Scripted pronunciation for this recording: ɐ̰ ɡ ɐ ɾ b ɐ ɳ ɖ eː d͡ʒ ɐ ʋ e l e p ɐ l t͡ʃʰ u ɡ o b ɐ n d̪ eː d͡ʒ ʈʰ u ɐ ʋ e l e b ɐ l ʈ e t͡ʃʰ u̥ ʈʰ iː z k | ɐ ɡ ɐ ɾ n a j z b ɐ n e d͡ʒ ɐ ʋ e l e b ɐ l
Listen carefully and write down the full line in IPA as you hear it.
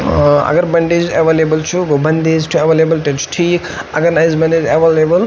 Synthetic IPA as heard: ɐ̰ ɡ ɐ ɾ b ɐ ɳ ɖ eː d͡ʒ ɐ ʋ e l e b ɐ l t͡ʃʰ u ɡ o b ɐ n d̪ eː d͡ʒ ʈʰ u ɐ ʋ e l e b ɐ l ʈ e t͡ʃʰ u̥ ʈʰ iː k | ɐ ɡ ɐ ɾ n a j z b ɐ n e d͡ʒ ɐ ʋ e l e b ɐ l